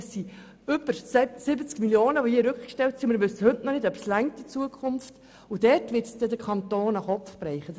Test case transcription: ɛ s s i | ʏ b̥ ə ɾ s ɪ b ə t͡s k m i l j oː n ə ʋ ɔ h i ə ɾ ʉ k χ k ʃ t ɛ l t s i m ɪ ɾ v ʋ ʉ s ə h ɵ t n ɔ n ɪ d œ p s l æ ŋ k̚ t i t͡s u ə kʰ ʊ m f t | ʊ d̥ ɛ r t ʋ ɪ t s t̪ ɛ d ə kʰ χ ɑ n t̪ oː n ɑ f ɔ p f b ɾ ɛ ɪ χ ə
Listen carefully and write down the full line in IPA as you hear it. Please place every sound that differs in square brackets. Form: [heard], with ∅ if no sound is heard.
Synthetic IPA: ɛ s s i | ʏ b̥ ə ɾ s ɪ b ə t͡s k m i l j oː n ə ʋ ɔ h i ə ɾ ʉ k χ k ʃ t ɛ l t s i m ɪ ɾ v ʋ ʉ s ə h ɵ t n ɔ n ɪ d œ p s l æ ŋ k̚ t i t͡s u ə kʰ ʊ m f t | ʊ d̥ ɛ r t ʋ ɪ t s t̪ ɛ d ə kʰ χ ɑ n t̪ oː n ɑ [χ] ɔ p f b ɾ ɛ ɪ χ ə